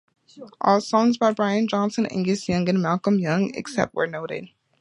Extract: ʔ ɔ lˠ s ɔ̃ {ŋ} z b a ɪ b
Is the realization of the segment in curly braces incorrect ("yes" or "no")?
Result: no